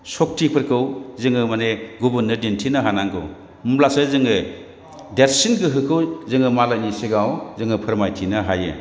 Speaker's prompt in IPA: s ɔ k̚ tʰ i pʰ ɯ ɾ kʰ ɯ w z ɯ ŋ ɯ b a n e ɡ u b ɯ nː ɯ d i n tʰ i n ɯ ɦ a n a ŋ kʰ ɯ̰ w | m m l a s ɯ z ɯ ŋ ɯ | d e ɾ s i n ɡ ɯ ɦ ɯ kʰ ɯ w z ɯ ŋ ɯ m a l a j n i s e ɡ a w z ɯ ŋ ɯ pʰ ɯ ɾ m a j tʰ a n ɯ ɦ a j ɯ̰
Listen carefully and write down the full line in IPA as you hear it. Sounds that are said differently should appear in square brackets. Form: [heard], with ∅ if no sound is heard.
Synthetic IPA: s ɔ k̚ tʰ i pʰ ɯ ɾ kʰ ɯ w z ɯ ŋ ɯ [m] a n e ɡ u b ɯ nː ɯ d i n tʰ i n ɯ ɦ a n a ŋ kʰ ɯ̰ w | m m l a s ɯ z ɯ ŋ ɯ | d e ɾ s i n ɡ ɯ ɦ ɯ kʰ ɯ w z ɯ ŋ ɯ m a l a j n i s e ɡ a w z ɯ ŋ ɯ pʰ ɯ ɾ m a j tʰ [i] n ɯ ɦ a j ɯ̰